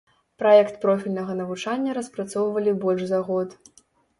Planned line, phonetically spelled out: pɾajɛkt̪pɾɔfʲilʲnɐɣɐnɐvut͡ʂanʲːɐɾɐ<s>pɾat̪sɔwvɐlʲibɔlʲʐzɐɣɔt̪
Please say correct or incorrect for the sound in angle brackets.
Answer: correct